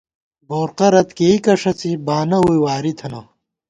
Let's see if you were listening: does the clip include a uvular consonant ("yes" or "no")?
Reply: yes